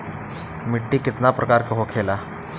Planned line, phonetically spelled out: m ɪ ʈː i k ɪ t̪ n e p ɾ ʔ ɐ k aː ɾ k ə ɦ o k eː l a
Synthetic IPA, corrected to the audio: m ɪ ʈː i k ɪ t̪ n a p ɾ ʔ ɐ k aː ɾ k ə ɦ o kʰ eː l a